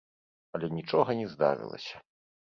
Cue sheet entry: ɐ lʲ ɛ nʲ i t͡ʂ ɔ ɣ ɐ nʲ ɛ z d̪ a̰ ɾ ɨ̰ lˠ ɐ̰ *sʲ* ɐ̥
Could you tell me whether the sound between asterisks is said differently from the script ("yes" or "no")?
no